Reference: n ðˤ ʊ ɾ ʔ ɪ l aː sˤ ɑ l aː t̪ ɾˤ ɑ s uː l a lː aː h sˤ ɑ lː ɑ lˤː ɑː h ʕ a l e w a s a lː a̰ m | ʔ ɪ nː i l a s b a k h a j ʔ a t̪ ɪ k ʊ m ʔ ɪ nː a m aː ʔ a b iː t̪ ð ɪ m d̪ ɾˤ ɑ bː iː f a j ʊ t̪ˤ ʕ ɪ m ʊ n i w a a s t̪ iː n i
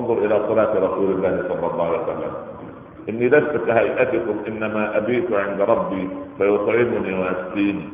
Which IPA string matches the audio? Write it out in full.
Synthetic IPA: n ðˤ ʊ ɾ ʔ ɪ l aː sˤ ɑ l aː t̪ ɾˤ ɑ s uː l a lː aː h sˤ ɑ lː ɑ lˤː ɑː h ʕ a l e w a s a lː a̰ m | ʔ ɪ nː i l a s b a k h a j ʔ a t̪ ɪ k ʊ m ʔ ɪ nː a m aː ʔ a b iː t̪ ʕ ɪ n d̪ ɾˤ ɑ bː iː f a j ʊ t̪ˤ ʕ ɪ m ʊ n i w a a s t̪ iː n i